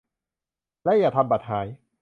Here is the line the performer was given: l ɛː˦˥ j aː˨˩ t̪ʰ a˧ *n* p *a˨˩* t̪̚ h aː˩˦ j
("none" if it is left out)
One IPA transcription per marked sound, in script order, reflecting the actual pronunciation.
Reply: m, a˨˩

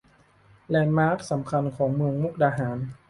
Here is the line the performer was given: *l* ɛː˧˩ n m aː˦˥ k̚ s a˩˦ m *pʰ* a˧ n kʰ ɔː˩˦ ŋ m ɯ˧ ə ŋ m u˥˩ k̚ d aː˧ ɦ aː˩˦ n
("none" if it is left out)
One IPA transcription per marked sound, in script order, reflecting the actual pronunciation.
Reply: l, kʰ

